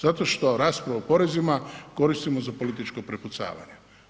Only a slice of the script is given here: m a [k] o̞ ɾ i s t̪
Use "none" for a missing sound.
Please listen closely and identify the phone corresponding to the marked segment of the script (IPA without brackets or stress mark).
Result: k